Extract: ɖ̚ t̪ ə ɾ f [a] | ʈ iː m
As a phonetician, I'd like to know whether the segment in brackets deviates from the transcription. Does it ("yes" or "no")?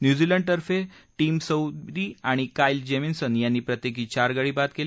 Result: yes